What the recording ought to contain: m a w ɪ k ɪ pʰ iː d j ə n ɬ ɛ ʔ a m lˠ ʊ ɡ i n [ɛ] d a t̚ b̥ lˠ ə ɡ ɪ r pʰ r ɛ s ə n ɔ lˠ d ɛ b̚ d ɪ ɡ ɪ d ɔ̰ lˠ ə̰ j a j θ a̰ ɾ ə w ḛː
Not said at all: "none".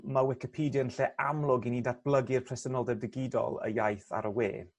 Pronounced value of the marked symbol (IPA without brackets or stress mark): i